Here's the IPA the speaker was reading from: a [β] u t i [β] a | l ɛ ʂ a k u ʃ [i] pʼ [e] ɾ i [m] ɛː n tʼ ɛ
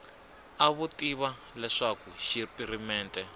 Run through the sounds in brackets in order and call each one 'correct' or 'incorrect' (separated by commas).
correct, correct, correct, incorrect, correct